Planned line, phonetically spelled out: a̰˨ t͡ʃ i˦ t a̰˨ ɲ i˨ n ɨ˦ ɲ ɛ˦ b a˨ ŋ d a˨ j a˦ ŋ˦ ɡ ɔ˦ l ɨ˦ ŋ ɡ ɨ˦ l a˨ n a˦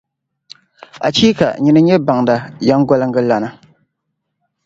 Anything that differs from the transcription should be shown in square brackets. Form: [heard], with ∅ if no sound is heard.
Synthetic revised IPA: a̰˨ t͡ʃ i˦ [k] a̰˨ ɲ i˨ n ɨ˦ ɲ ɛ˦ b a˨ ŋ d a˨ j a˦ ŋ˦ ɡ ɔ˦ l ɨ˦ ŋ ɡ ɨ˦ l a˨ n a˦